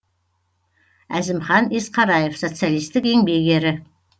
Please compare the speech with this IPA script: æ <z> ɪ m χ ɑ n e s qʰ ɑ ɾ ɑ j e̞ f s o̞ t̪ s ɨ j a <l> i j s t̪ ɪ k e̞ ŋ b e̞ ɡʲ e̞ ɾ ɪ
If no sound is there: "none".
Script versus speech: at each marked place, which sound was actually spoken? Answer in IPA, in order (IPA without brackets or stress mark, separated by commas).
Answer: z, l